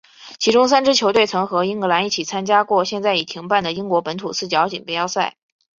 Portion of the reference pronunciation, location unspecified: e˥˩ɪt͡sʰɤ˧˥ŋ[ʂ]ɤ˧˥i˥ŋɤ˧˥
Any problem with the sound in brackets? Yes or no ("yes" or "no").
yes